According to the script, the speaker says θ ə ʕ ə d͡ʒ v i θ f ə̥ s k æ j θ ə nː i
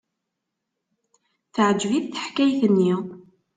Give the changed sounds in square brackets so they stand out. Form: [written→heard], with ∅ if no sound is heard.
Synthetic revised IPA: θ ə ʕ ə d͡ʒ v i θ [f→θ] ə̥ [s→ħ] k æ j θ ə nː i

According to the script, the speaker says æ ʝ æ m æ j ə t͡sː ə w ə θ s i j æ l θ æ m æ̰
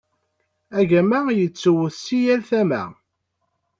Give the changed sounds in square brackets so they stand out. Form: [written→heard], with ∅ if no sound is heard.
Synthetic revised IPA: æ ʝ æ m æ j ə t͡sː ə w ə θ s i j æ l θ æ m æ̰

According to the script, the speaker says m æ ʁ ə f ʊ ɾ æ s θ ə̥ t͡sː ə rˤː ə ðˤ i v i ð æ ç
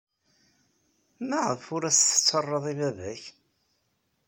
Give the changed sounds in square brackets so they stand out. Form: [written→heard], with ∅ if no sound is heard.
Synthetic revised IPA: m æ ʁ ə f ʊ ɾ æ s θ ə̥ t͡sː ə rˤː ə ðˤ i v [i→æ] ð æ ç

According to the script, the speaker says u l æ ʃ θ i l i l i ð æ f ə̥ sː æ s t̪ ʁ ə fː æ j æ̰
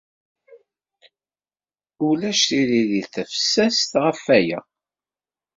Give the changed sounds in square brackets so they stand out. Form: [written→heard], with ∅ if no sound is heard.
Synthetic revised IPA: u l æ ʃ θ i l i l i [ð→θ] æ f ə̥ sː æ s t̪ ʁ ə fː æ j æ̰

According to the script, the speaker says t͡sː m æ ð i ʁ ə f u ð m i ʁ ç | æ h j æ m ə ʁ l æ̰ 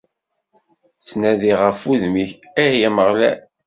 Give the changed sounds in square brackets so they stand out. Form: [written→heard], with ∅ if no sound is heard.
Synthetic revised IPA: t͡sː [m→n] æ ð i ʁ ə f u ð m i [ʁ→∅] ç | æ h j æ m ə ʁ l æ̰

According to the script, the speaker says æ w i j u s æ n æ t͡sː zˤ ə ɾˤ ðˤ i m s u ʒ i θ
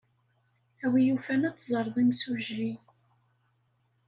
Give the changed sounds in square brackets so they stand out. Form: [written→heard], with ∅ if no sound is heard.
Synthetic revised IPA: æ w i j u [s→f] æ n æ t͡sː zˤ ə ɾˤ ðˤ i m s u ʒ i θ

